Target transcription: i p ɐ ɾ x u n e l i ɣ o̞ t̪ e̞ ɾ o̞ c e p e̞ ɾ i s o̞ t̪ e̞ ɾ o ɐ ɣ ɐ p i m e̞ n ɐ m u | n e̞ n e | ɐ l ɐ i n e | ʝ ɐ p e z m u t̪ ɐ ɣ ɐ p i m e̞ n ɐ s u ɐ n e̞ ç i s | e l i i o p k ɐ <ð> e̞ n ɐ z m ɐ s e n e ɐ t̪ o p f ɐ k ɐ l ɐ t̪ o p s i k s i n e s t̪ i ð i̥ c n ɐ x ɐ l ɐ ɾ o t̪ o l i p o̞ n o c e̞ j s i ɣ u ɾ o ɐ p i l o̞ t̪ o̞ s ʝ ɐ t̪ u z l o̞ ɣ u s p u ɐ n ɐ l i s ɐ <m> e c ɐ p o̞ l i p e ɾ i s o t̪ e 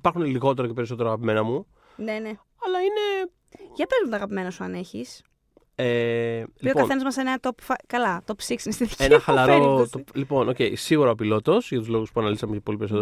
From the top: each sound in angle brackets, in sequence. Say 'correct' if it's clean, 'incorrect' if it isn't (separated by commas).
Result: incorrect, correct